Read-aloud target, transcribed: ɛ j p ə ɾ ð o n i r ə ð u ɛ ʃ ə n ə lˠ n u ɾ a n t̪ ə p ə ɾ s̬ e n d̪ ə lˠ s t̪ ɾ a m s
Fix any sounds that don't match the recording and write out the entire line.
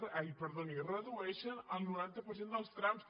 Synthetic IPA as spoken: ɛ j p ə ɾ ð o n i r ə ð u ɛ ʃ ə n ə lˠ n u ɾ a n t̪ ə p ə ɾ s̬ e n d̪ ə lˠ s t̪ ɾ a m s